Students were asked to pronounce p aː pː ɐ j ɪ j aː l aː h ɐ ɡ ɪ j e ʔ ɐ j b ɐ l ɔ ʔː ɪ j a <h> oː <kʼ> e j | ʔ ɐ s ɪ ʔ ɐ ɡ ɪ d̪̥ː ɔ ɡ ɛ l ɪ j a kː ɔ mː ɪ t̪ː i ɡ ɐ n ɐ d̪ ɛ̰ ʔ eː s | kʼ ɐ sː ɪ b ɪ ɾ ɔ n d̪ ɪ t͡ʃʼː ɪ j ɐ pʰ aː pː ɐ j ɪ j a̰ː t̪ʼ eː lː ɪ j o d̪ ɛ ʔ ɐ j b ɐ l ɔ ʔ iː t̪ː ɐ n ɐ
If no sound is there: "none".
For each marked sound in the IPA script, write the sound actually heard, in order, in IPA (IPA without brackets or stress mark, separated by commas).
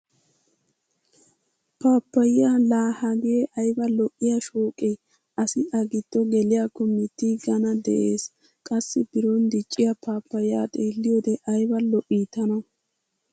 ʃ, kʼ